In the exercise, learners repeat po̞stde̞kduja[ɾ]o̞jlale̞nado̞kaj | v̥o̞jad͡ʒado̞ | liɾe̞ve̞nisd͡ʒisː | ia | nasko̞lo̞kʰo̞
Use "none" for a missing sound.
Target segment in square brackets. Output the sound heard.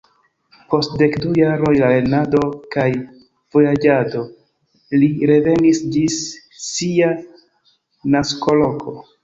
ɾ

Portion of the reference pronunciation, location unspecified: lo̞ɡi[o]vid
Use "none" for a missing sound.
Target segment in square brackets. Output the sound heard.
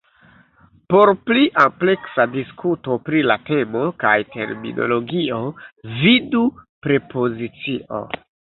o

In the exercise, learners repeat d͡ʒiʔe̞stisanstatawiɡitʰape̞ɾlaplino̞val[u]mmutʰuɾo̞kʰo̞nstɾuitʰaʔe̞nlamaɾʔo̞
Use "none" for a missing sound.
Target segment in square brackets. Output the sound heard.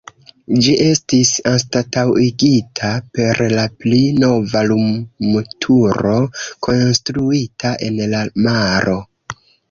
u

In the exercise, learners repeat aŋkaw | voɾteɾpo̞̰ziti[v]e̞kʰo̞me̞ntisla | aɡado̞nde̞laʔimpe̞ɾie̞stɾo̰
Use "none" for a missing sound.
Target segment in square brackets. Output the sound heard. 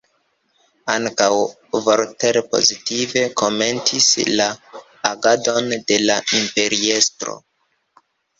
v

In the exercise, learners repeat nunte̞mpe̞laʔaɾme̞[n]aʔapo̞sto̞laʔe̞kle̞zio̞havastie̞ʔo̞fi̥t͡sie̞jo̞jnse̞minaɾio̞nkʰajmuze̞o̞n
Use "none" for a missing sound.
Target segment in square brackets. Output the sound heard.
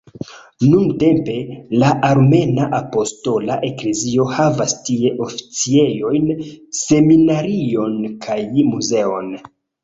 n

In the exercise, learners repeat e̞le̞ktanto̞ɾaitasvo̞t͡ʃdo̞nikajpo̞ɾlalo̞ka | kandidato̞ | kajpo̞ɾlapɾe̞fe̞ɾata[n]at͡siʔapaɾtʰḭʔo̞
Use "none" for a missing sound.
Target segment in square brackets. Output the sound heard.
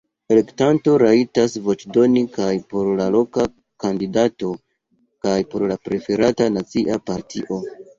n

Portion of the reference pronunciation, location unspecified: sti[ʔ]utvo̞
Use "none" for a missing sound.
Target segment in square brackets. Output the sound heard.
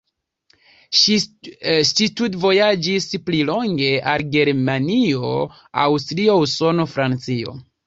t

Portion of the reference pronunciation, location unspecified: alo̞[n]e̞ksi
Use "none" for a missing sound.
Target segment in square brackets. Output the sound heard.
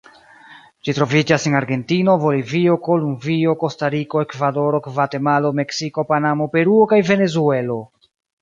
m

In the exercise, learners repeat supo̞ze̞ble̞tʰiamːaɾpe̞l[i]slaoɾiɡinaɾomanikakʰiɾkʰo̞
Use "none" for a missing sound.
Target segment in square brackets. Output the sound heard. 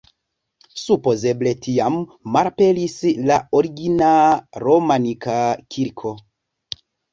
i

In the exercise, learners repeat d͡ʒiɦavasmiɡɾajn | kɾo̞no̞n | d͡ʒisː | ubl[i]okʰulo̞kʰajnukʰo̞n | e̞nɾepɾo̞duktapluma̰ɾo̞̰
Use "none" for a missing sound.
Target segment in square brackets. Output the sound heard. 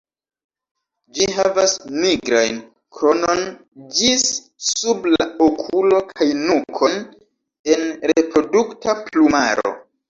a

